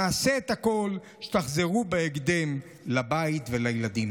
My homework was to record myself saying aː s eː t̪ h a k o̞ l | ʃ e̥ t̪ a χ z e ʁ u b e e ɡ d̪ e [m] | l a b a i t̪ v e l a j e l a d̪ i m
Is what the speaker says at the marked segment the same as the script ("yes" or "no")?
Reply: yes